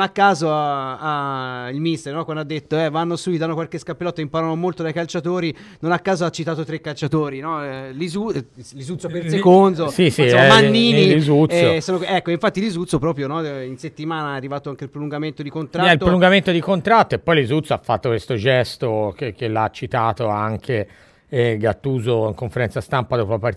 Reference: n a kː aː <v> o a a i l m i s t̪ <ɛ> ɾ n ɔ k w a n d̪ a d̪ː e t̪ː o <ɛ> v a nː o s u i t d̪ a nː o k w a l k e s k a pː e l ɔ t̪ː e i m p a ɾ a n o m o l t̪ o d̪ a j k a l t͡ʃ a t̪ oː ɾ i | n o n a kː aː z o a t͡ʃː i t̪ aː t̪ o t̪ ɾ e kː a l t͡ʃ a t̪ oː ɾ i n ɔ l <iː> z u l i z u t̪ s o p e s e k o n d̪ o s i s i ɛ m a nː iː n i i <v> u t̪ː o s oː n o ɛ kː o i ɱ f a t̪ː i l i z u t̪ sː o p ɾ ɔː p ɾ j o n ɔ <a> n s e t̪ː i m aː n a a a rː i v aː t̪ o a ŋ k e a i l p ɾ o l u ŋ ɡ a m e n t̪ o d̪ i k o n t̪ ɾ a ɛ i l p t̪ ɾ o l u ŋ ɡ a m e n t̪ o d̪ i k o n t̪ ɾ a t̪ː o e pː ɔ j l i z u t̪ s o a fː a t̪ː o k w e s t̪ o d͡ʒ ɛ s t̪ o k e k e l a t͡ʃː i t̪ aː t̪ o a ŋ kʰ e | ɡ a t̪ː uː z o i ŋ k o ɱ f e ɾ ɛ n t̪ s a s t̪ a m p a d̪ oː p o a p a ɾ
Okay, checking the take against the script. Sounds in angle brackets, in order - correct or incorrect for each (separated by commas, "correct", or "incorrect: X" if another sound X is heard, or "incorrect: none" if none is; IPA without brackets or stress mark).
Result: incorrect: z, incorrect: e, correct, incorrect: i, incorrect: z, incorrect: i